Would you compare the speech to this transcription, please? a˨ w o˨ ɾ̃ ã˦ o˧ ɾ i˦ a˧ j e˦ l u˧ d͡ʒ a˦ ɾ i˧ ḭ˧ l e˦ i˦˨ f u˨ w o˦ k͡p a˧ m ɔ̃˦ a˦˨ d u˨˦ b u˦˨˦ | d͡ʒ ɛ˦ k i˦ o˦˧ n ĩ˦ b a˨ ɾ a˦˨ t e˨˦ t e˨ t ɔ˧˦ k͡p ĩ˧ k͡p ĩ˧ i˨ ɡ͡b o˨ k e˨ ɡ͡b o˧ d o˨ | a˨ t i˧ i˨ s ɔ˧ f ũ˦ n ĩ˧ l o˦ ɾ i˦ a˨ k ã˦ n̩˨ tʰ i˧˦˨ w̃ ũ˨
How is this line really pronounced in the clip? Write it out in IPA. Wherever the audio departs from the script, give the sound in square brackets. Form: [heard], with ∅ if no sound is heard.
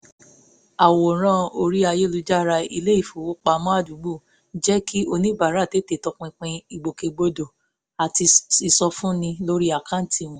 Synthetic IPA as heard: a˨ w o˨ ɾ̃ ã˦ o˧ ɾ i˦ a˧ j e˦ l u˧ d͡ʒ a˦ ɾ [a˧] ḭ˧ l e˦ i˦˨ f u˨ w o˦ k͡p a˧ m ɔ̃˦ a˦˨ d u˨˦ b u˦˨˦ | d͡ʒ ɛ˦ k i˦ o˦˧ n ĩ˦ b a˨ ɾ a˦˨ t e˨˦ t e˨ t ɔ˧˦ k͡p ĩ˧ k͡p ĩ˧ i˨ ɡ͡b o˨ k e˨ ɡ͡b o˧ d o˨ | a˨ t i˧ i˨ s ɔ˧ f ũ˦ n ĩ˧ l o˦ ɾ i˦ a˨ k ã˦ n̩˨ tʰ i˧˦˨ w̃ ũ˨